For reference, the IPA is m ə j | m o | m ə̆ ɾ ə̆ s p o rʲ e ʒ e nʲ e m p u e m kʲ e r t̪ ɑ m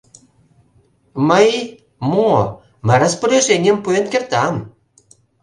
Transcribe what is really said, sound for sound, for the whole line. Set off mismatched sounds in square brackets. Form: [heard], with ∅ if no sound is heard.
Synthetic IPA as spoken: m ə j | m o | m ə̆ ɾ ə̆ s p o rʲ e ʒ e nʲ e m p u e [n] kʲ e r t̪ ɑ m